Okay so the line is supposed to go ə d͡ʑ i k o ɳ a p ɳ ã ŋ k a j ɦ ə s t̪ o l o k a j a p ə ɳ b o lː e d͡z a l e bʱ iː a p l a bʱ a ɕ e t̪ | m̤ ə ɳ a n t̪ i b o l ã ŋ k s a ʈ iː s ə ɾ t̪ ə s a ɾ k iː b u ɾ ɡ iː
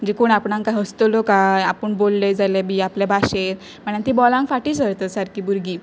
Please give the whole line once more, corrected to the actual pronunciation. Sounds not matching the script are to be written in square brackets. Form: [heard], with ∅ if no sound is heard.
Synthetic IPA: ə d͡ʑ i k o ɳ a p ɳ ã ŋ k a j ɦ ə s t̪ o l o k a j a p ə ɳ b o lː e d͡z a l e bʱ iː a p l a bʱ a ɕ e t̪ | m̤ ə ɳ a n t̪ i b [ɔ] l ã ŋ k [f] a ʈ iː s ə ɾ t̪ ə s a ɾ k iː b u ɾ ɡ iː

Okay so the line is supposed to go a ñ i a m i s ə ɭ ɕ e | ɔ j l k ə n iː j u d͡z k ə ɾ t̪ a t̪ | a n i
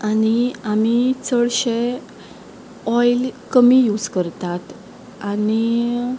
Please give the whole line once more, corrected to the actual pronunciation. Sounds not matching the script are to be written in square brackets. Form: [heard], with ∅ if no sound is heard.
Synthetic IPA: a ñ i a m i [t͡s] ə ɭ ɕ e | ɔ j l k ə [m] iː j u d͡z k ə ɾ t̪ a t̪ | a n i

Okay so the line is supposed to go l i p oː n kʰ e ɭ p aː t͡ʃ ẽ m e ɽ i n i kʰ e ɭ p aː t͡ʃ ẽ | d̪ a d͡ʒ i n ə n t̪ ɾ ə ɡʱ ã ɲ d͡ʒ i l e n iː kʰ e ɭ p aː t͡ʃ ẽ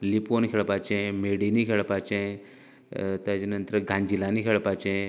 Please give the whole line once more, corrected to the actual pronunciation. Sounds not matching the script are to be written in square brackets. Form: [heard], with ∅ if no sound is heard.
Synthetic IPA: l i p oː n kʰ e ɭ p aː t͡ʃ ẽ m e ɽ i n i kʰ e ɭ p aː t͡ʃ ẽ | [t̪] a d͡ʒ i n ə n t̪ ɾ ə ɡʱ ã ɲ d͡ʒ i l [a] n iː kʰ e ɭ p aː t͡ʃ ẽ

